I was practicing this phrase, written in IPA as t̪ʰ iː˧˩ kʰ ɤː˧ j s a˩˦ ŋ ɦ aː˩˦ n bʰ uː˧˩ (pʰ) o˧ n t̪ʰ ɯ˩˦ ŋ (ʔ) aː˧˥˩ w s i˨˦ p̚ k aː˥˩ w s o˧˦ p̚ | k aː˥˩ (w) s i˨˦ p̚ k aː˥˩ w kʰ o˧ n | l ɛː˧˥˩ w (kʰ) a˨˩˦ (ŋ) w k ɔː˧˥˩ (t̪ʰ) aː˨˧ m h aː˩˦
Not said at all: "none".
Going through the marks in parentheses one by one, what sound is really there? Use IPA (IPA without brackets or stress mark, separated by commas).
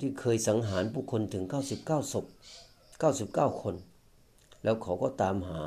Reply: kʰ, k, w, kʰ, none, t̪